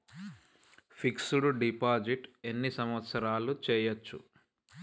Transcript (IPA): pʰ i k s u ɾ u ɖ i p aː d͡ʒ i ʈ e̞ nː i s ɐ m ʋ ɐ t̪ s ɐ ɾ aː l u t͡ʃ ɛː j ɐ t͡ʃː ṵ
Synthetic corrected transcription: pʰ i k s u ɽ u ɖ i p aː d͡ʒ i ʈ e̞ nː i s ɐ m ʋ ɐ t̪ s ɐ ɾ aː l u t͡ʃ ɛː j ɐ t͡ʃː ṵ